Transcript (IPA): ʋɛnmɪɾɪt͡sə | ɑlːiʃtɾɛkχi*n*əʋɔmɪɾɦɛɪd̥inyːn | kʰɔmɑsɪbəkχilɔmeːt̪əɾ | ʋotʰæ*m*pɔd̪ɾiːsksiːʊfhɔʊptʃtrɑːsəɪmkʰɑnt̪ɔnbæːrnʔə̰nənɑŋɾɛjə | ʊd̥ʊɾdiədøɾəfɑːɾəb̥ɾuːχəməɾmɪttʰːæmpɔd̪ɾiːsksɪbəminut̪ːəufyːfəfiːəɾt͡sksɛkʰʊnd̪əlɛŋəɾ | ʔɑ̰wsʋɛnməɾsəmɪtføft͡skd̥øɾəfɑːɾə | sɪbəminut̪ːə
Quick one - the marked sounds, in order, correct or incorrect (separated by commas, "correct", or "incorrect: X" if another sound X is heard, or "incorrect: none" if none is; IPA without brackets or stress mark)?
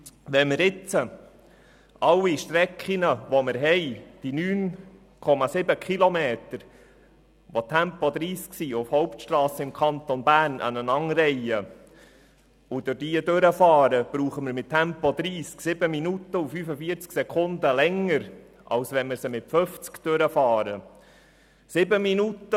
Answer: correct, correct